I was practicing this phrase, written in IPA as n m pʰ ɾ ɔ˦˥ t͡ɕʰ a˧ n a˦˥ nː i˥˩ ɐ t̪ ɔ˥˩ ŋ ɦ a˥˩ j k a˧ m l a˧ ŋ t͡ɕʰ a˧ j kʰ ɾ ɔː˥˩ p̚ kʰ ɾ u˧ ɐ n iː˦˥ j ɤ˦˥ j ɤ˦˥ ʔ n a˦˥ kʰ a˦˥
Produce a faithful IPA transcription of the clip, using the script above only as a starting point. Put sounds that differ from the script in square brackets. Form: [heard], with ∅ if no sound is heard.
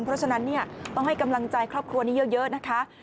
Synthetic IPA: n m pʰ ɾ ɔ˦˥ t͡ɕʰ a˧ n a˦˥ nː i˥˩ ɐ t̪ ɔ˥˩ ŋ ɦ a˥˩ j k a˧ m l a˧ ŋ [t͡ɕ] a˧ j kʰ ɾ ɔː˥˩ p̚ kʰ ɾ u˧ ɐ n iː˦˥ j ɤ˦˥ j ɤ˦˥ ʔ n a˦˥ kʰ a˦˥